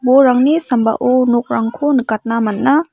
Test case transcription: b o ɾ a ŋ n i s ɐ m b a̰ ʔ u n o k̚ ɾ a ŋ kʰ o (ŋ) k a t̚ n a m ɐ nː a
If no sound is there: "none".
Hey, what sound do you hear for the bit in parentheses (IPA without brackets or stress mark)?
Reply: n